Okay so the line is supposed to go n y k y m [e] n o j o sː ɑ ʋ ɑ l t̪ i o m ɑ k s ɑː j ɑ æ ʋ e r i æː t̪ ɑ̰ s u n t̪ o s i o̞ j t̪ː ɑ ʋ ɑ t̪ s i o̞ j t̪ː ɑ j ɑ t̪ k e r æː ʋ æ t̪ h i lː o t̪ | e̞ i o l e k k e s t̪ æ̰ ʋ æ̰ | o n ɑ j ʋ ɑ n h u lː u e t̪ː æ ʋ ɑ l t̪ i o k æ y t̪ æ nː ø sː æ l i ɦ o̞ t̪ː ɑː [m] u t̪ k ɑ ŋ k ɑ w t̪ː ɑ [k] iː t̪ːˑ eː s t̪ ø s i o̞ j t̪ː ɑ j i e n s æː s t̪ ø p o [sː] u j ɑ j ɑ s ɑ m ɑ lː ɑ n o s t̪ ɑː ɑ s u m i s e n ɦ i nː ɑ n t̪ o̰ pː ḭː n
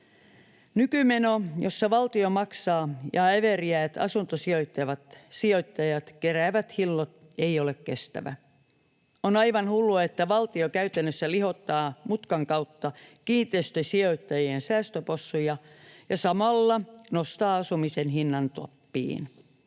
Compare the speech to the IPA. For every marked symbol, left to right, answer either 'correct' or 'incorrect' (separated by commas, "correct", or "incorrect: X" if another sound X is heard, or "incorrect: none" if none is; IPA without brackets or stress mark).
correct, correct, correct, correct